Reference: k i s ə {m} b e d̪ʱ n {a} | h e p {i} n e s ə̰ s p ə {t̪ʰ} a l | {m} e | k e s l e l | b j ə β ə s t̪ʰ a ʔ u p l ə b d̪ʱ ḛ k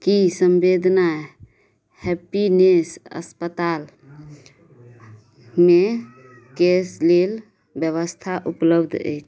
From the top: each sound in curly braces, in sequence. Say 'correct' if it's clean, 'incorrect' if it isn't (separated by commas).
correct, correct, correct, incorrect, correct